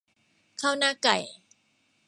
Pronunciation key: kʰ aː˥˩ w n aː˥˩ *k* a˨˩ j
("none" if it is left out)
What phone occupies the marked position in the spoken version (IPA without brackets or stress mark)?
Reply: k